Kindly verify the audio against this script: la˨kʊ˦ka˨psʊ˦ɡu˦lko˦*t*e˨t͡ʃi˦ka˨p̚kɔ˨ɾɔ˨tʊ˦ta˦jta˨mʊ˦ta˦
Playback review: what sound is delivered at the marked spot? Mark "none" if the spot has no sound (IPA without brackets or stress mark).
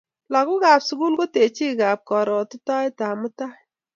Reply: t